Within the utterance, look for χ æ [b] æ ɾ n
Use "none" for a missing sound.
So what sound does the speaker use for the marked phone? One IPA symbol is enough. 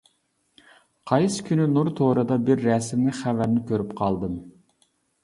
v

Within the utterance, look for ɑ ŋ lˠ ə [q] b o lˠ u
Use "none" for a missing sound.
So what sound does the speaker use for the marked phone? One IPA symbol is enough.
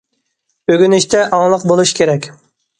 q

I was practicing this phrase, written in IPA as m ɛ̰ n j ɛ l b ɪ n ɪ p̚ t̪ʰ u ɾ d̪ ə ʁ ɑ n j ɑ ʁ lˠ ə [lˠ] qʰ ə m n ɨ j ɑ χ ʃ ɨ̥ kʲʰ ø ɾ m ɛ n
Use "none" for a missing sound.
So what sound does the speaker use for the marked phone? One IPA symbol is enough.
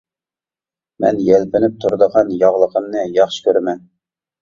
none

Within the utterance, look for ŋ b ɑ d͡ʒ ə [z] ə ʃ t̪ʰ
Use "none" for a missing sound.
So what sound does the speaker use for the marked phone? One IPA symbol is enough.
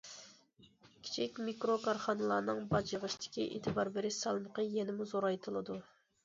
ʁ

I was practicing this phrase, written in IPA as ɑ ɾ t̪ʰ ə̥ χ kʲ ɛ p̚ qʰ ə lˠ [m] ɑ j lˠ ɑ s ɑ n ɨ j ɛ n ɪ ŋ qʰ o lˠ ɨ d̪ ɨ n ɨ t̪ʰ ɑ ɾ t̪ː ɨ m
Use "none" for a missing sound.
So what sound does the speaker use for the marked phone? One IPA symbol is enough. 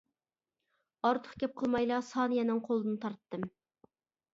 m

